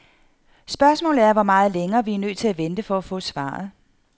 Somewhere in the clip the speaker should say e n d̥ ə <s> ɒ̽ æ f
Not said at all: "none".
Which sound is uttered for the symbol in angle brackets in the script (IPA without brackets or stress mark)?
f